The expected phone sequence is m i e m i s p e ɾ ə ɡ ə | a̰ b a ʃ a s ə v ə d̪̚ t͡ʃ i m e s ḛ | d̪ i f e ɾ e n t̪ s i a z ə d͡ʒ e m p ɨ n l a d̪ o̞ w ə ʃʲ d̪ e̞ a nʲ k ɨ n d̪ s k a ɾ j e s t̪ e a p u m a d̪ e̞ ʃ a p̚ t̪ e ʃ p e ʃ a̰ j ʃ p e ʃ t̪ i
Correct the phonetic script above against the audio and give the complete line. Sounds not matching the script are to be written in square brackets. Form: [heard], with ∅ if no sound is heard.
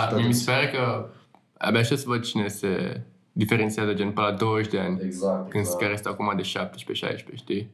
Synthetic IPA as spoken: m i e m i s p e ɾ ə [k] ə | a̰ b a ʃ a s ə v ə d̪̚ t͡ʃ i [n] e s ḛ | d̪ i f e ɾ e n t̪ s i a z ə d͡ʒ e [n] p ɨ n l a d̪ o̞ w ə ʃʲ d̪ e̞ a nʲ k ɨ n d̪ s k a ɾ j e s t̪ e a [k] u m a d̪ e̞ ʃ a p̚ t̪ e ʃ p e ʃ a̰ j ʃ p e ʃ t̪ i